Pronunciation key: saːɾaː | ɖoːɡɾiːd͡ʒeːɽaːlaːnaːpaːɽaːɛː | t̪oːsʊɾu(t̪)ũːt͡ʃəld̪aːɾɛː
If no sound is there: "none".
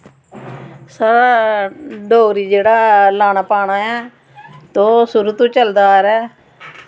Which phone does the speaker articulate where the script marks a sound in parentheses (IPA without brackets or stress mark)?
t̪